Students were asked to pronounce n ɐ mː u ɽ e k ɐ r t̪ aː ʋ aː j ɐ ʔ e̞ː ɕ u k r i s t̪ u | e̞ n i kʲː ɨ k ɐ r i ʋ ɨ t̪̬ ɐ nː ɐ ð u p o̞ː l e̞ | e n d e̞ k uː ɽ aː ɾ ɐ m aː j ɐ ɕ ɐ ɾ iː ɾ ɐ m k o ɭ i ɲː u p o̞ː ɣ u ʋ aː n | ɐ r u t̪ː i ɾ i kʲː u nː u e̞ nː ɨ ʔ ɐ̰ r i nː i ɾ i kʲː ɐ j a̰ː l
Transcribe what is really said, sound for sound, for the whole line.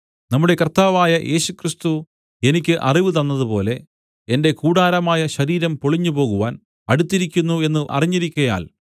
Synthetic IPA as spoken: n ɐ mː u ɽ e k ɐ r t̪ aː ʋ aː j ɐ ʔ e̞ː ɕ u k r i s t̪ u | e̞ n i kʲː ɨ ʔ ɐ r i ʋ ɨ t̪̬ ɐ nː ɐ ð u p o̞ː l e̞ | e n d e̞ k uː ɽ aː ɾ ɐ m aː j ɐ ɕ ɐ ɾ iː ɾ ɐ m p o ɭ i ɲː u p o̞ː ɣ u ʋ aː n | ɐ ɽ u t̪ː i ɾ i kʲː u nː u e̞ nː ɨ ʔ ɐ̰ r i ɲː i ɾ i kʲː ɐ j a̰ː l

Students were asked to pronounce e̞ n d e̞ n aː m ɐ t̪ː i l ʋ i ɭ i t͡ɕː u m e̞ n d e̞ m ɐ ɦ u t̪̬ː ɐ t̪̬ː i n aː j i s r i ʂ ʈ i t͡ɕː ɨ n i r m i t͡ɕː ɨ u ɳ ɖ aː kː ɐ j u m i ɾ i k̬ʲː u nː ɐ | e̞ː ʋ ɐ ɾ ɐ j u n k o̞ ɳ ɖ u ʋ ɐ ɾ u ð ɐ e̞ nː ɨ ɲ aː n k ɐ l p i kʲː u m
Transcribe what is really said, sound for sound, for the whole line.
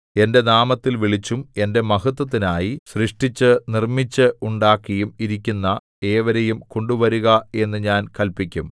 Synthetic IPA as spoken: e̞ n d e̞ n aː m ɐ t̪ː i l ʋ i ɭ i t͡ɕː u m e̞ n d e̞ m ɐ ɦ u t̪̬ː ɐ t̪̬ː i n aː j i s r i ʂ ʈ i t͡ɕː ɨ n i r m i t͡ɕː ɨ u ɳ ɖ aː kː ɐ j u m i ɾ i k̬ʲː u nː ɐ | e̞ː ʋ ɐ ɾ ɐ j u m k o̞ ɳ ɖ u ʋ ɐ ɾ u ɣ ɐ e̞ nː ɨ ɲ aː n k ɐ l p i kʲː u m

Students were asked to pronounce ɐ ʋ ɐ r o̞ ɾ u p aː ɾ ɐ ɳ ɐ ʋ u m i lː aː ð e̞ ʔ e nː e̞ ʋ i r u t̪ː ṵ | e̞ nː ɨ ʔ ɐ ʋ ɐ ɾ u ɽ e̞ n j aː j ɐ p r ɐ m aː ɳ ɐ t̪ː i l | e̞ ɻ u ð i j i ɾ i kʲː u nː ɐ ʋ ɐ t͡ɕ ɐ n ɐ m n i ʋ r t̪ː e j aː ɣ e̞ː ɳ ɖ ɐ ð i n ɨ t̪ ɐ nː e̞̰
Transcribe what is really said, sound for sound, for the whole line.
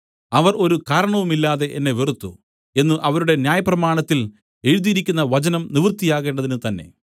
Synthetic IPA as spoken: ɐ ʋ ɐ r o̞ ɾ u k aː ɾ ɐ ɳ ɐ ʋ u m i lː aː ð e̞ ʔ e nː e̞ ʋ i r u t̪ː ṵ | e̞ nː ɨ ʔ ɐ ʋ ɐ ɾ u ɽ e̞ n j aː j ɐ p r ɐ m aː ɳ ɐ t̪ː i l | e̞ ɻ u ð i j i ɾ i kʲː u nː ɐ ʋ ɐ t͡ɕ ɐ n ɐ m n i ʋ r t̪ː i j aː ɣ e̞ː ɳ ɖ ɐ ð i n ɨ t̪ ɐ nː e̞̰

